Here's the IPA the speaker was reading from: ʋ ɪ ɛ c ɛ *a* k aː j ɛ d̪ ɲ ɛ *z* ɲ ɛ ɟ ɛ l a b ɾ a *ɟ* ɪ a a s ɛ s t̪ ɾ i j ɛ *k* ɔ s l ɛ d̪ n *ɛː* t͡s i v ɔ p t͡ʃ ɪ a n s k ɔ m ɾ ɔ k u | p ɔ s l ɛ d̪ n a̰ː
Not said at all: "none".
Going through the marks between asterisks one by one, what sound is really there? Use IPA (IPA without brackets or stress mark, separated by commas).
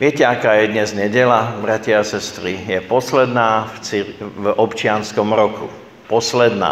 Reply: a, z, c, p, aː